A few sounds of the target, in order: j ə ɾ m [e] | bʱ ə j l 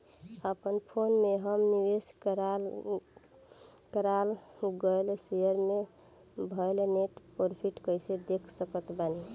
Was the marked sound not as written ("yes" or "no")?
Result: no